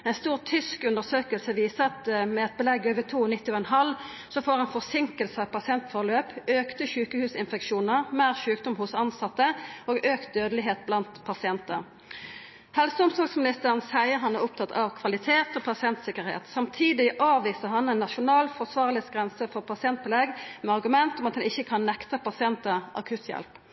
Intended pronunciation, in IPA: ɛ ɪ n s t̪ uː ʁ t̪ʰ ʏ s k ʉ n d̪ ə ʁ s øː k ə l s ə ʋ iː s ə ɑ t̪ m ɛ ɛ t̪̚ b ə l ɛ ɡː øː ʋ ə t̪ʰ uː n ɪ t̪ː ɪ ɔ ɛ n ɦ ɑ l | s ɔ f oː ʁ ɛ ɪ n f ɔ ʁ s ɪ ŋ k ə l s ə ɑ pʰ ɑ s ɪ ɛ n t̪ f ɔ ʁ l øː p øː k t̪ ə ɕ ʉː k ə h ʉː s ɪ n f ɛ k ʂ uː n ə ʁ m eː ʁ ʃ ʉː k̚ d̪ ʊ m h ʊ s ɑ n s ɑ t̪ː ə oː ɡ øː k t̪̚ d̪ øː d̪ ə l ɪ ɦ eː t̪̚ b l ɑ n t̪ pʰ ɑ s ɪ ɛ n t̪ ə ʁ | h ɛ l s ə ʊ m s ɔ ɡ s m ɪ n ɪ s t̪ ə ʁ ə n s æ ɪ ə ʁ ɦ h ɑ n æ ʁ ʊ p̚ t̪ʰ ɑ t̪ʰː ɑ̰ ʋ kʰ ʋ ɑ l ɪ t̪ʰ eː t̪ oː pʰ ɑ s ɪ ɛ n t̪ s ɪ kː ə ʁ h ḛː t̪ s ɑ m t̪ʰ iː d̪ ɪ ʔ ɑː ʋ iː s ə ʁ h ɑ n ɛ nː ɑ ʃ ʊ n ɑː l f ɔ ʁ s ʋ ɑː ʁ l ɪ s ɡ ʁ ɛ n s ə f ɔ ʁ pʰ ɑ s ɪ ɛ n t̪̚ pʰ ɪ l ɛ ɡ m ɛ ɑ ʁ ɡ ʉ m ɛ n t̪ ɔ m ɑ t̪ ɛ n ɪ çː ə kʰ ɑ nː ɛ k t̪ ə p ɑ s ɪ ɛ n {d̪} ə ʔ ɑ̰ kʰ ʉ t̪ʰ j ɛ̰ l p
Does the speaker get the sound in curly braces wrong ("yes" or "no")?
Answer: yes